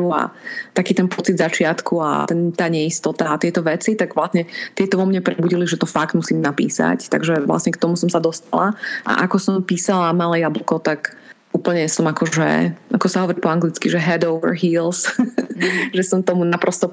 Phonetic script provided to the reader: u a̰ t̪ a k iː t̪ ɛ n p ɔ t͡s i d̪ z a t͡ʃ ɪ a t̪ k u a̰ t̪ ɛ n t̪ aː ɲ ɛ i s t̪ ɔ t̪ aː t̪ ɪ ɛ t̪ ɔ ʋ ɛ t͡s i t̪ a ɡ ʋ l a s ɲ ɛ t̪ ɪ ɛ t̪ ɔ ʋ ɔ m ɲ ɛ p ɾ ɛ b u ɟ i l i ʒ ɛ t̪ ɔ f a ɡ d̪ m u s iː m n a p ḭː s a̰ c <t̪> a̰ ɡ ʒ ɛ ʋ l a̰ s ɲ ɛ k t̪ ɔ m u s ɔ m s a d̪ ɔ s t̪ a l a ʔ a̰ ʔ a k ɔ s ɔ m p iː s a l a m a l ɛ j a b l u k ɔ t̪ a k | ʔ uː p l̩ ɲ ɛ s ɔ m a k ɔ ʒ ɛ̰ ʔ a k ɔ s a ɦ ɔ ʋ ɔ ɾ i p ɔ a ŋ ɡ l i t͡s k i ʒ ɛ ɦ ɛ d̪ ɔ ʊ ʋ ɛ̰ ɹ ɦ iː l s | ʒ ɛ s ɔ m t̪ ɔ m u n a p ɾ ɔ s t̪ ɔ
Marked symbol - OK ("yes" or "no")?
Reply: yes